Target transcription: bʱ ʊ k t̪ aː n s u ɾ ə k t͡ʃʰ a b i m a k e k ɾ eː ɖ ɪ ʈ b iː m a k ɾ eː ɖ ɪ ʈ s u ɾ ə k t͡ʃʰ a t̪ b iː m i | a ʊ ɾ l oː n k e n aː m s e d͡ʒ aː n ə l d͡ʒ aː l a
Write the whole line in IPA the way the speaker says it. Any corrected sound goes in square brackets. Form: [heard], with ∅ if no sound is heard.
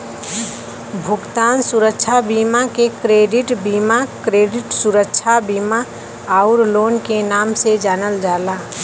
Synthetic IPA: bʱ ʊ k t̪ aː n s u ɾ ə k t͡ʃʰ a b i m a k e k ɾ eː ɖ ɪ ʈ b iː m a k ɾ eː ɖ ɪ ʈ s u ɾ ə k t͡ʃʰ a [∅] b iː m [a] | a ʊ ɾ l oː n k e n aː m s e d͡ʒ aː n ə l d͡ʒ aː l a